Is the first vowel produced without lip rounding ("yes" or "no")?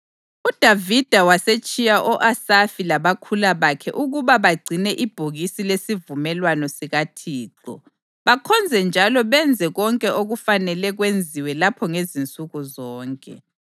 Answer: no